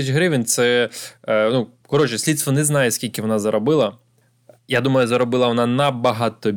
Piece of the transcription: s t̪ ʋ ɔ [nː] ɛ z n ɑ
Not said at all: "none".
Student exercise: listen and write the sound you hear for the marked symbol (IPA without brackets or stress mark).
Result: n